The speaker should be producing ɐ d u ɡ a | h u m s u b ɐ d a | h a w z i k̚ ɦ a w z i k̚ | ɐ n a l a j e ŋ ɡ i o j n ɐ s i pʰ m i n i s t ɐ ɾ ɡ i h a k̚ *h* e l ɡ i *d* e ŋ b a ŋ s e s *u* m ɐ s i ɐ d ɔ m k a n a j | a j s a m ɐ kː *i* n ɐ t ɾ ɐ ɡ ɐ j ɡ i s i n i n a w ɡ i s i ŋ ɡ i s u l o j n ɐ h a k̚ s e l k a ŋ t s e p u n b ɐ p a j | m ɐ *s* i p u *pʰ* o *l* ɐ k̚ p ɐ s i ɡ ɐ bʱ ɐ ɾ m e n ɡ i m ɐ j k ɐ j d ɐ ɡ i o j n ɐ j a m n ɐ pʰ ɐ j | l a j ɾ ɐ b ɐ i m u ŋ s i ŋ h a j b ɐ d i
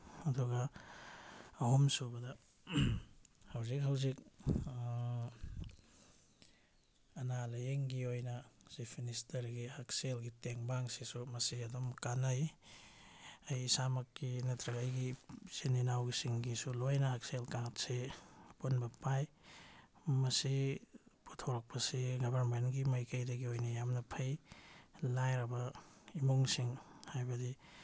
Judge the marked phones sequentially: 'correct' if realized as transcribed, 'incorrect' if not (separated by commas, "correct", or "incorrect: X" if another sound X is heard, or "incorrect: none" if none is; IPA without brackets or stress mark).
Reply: incorrect: s, incorrect: t, correct, correct, correct, incorrect: tʰ, incorrect: ɾ